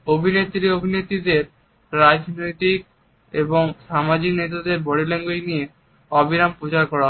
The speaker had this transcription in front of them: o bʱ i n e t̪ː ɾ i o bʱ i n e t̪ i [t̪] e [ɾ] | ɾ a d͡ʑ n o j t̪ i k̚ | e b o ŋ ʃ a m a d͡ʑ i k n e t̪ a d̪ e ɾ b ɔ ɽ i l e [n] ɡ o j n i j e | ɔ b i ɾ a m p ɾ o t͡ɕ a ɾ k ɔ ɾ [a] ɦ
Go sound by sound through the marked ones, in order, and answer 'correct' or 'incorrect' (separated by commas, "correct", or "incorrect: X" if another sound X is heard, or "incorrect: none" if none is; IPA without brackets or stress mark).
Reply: incorrect: d̪, correct, incorrect: ŋ, correct